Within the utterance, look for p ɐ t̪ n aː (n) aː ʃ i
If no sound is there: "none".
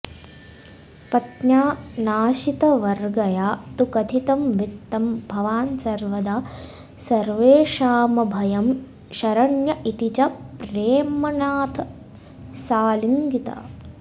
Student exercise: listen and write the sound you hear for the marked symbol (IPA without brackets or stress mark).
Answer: n